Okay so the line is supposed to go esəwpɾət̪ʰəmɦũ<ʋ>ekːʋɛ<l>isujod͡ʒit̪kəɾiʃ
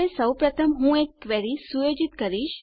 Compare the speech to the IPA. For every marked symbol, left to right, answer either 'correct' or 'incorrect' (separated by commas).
incorrect, incorrect